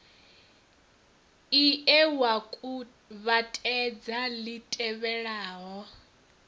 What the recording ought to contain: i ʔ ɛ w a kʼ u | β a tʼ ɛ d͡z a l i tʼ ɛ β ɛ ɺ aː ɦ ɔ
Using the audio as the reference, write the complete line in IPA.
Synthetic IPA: i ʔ ɛ w a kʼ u | β a tʼ ɛ d͡z a l i tʼ ɛ β ɛ ɺ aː ɦ ɔ